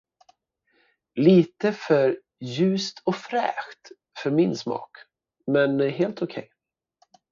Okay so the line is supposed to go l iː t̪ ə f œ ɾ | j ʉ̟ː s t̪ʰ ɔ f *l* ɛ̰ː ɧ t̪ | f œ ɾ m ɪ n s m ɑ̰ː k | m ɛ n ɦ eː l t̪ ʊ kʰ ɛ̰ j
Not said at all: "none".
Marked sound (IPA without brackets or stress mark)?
ɾ